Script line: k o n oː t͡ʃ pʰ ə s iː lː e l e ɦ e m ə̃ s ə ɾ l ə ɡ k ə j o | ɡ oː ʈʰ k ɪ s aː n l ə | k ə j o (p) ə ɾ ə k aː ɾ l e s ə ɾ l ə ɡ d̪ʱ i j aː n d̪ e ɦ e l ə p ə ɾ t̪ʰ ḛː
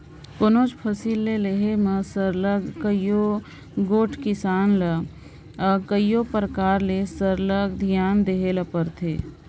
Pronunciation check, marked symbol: correct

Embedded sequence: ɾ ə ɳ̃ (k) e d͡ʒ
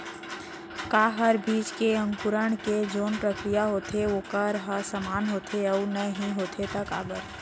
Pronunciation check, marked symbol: correct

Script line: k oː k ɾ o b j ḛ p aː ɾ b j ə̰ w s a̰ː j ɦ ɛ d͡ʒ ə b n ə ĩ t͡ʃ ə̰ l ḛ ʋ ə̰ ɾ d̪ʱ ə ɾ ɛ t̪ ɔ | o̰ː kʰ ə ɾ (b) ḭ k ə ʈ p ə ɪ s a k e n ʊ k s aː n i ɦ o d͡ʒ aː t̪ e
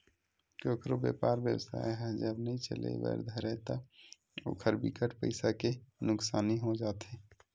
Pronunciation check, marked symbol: correct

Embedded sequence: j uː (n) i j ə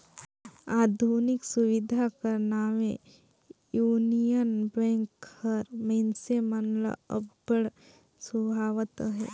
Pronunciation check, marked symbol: correct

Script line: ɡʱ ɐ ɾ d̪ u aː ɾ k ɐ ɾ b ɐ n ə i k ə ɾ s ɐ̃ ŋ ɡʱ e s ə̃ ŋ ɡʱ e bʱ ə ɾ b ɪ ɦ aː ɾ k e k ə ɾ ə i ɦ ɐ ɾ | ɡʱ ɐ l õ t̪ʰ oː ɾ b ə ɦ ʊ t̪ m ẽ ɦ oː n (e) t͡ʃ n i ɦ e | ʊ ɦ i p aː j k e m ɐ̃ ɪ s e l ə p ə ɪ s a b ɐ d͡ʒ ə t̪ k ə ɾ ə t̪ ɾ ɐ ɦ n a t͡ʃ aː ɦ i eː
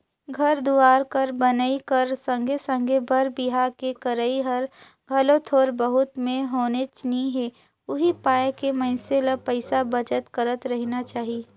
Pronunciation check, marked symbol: correct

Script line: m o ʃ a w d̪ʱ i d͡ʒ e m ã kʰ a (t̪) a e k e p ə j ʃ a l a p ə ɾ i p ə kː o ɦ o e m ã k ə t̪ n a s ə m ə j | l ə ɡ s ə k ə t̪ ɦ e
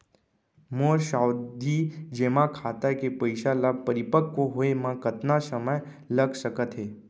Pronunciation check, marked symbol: correct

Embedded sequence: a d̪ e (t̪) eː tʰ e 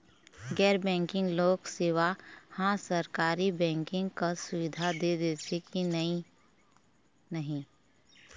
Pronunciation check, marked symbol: incorrect: d̪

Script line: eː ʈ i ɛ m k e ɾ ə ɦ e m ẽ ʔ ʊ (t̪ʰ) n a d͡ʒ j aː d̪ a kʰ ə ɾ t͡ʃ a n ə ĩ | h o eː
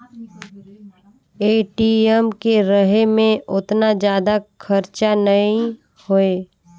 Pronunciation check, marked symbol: incorrect: t̪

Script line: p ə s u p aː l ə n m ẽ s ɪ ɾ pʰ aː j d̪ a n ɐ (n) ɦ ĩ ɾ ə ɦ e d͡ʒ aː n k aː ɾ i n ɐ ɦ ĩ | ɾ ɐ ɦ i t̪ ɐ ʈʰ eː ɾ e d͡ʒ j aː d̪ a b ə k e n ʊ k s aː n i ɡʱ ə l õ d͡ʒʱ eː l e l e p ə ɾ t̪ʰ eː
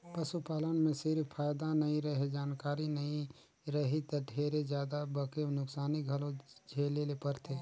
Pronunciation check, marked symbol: incorrect: none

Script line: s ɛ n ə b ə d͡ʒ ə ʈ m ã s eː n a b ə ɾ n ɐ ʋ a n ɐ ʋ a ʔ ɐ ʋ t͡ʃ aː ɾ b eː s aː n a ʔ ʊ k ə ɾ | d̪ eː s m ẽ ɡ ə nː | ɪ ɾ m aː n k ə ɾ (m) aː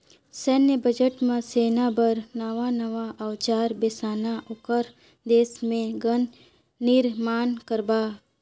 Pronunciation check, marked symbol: incorrect: b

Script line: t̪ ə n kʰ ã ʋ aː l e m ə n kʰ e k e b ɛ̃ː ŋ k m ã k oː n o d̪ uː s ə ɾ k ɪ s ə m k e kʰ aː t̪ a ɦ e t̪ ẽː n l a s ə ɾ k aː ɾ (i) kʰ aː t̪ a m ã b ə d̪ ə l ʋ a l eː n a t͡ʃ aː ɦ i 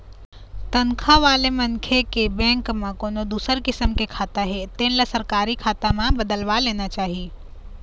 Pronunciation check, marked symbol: correct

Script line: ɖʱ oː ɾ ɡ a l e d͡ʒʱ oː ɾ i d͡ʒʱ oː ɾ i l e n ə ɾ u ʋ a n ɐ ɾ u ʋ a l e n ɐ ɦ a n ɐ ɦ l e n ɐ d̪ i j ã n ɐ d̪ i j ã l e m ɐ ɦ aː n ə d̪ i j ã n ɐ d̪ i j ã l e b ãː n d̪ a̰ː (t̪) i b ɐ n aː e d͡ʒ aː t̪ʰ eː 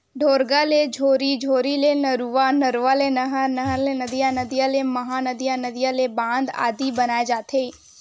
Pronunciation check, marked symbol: incorrect: d̪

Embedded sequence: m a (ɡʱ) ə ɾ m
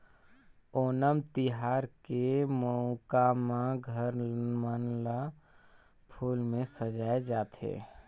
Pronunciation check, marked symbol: correct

